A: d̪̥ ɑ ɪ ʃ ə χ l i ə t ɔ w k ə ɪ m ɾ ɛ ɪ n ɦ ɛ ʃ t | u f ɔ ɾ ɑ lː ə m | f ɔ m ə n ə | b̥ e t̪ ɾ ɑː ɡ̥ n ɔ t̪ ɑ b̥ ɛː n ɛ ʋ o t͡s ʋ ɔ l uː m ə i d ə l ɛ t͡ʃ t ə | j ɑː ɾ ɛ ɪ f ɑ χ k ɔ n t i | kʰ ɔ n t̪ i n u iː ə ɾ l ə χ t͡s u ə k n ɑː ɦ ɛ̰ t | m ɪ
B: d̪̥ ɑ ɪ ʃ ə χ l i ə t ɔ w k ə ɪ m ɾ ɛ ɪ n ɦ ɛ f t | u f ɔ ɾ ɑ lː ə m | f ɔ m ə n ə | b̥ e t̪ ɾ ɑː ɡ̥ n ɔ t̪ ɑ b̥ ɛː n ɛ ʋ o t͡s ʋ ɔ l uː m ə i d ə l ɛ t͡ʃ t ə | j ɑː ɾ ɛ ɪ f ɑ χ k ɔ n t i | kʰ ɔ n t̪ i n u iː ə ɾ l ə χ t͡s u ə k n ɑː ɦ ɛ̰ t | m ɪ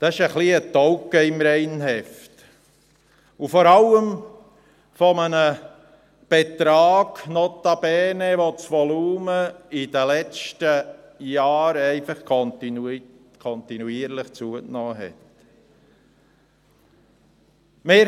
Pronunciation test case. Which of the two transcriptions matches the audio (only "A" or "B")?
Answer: B